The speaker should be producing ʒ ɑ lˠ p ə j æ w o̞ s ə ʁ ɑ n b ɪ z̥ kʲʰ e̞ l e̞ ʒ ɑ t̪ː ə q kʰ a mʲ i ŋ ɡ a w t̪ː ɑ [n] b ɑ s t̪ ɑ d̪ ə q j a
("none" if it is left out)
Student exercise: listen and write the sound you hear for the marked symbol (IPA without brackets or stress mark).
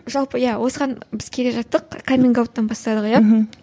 n